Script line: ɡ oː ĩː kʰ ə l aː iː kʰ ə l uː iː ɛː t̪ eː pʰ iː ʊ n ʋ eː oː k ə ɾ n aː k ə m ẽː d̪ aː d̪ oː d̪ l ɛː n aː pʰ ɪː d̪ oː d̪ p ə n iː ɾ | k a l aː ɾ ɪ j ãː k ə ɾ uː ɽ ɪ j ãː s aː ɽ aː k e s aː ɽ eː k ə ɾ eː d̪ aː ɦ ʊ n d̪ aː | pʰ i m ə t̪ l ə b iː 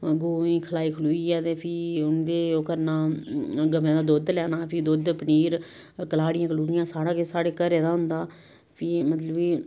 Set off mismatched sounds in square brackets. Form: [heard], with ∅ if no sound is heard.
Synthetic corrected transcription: ɡ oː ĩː kʰ ə l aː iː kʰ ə l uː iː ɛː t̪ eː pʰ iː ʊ n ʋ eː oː k ə ɾ n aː [ɡ] ə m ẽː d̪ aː d̪ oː d̪ l ɛː n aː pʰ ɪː d̪ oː d̪ p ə n iː ɾ | k [ə] l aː [ɽ] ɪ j ãː k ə [l] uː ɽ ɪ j ãː s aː ɽ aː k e s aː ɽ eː k ə ɾ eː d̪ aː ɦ ʊ n d̪ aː | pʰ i m ə t̪ l ə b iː